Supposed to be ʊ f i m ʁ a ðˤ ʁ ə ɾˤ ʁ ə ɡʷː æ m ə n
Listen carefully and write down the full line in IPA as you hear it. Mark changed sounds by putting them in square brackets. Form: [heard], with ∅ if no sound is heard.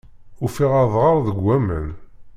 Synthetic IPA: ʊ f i [∅] ʁ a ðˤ ʁ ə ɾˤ [ð] ə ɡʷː æ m ə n